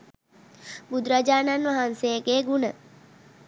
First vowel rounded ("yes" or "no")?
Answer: yes